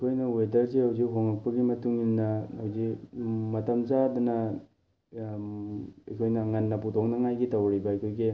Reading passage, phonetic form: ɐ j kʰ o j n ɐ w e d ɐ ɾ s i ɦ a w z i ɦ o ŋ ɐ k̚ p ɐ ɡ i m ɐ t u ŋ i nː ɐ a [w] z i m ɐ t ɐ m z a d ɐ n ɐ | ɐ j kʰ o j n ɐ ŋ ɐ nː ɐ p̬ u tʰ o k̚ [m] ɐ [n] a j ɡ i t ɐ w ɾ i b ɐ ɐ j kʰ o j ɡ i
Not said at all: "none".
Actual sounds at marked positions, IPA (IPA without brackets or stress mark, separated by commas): w, n, ŋ